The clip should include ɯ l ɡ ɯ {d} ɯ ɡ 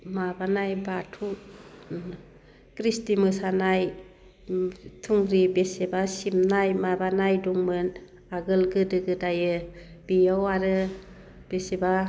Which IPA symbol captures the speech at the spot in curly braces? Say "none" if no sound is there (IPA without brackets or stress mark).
d